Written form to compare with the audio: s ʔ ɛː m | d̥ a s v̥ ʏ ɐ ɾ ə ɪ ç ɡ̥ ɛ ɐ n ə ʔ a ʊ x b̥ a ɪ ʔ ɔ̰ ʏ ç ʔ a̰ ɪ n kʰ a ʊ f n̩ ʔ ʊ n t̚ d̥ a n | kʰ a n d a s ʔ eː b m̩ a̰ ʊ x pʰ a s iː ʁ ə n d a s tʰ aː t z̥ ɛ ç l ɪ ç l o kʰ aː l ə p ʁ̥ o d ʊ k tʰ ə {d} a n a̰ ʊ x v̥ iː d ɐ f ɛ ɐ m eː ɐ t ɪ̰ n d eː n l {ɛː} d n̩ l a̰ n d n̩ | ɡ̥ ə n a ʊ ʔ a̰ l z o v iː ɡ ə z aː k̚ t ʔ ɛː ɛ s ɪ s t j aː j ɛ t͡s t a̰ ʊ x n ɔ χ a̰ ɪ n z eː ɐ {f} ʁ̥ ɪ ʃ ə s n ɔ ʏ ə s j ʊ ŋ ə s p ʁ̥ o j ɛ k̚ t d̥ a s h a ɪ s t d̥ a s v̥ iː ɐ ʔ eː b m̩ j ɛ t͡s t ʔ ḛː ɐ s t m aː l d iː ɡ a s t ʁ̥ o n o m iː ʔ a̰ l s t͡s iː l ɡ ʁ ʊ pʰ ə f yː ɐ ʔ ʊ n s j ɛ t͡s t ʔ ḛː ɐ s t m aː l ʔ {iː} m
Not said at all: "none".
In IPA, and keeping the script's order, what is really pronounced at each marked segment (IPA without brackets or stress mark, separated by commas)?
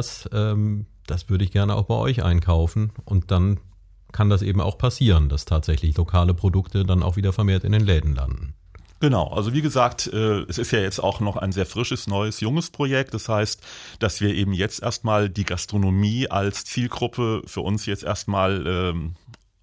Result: d, ɛː, f, ɛː